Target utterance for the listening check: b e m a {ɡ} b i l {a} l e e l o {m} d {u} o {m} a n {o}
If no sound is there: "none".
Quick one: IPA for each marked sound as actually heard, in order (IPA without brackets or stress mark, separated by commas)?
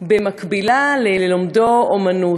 k, a, m, o, m, u